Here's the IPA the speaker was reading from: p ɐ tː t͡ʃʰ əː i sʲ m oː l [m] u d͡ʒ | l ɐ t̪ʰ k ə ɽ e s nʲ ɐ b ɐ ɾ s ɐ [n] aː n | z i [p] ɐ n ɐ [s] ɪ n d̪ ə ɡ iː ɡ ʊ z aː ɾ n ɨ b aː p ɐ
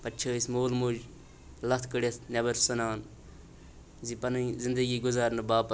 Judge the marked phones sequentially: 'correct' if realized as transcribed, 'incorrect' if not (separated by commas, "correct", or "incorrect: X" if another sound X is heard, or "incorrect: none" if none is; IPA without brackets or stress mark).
correct, correct, correct, incorrect: z